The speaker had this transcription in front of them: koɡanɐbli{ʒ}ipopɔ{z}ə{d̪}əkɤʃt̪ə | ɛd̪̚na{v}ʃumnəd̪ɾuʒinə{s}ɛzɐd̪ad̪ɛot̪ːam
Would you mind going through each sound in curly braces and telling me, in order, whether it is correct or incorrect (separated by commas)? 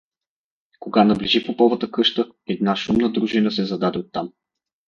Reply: correct, incorrect, incorrect, incorrect, correct